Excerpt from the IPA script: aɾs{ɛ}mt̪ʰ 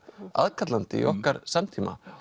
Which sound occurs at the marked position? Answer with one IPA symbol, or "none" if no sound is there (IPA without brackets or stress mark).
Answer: a